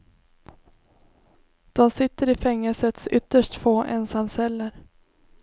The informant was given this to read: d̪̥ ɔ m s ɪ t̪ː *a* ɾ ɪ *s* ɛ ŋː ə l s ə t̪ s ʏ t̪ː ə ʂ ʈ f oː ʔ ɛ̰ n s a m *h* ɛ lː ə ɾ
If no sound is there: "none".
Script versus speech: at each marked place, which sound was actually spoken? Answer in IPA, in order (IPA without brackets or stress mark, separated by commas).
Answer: ə, f, s